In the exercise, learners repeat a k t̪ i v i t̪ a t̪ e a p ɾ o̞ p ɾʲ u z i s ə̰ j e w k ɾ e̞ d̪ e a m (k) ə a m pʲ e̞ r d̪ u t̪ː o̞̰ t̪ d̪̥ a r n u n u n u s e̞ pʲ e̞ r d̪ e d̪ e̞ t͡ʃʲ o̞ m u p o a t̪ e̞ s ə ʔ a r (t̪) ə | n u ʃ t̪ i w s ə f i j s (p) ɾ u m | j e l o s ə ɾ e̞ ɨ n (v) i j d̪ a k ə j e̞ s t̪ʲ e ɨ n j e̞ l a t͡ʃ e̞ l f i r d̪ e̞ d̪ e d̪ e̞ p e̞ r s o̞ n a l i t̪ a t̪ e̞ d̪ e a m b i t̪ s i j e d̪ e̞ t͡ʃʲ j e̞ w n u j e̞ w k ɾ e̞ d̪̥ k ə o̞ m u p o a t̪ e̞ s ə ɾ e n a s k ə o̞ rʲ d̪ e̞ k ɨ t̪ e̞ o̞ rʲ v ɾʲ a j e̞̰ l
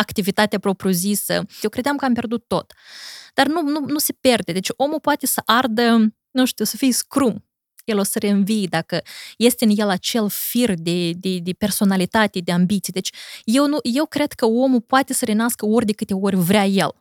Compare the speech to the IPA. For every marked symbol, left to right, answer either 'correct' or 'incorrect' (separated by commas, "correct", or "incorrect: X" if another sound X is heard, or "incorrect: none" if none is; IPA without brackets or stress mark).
correct, incorrect: d̪, incorrect: k, correct